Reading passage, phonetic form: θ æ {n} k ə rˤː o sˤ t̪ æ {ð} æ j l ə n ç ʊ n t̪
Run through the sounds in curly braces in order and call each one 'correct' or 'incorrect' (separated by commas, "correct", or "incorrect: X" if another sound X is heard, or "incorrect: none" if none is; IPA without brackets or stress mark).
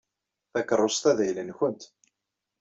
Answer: incorrect: none, correct